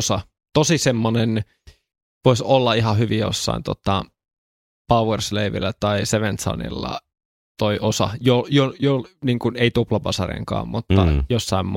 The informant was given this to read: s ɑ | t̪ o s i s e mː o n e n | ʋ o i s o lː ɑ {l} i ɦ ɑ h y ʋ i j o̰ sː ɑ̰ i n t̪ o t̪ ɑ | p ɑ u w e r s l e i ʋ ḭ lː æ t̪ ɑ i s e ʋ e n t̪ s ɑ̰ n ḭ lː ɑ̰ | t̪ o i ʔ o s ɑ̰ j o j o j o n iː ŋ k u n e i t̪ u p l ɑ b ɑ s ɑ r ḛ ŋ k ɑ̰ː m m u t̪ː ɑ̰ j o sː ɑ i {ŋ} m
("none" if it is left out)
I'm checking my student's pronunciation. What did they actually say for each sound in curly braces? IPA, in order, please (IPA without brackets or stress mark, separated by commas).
none, m